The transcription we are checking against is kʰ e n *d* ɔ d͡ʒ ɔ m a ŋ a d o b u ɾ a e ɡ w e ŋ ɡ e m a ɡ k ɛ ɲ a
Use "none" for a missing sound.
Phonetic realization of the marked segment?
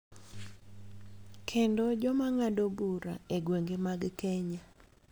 d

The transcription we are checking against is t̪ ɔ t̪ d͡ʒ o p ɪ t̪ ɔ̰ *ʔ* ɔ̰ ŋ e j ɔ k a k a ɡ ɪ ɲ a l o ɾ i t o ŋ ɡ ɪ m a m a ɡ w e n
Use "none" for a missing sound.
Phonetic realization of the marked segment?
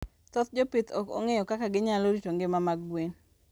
k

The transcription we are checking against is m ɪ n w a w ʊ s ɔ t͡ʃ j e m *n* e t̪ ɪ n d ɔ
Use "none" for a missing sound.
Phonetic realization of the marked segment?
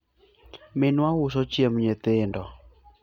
ɲ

